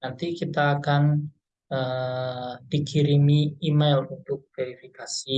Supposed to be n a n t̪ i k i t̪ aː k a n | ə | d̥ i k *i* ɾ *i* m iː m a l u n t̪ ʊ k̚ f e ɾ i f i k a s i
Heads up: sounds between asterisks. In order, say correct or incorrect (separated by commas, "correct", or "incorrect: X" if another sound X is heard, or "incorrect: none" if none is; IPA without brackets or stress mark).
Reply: correct, correct